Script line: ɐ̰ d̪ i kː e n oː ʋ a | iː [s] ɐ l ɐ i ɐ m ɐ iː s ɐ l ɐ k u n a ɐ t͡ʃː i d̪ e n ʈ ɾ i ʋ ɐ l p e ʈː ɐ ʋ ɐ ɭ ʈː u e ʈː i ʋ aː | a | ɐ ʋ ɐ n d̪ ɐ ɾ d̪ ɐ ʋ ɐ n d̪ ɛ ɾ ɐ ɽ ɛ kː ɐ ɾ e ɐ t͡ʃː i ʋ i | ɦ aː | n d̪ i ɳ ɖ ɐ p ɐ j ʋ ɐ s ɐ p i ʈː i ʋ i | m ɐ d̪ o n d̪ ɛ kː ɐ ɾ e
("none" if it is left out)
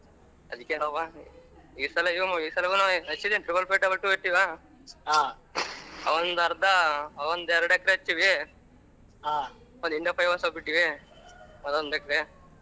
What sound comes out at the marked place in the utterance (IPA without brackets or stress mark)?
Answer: s